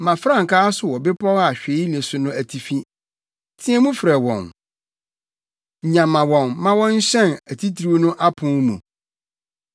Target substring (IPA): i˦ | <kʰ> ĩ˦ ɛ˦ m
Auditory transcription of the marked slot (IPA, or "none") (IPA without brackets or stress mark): tʰ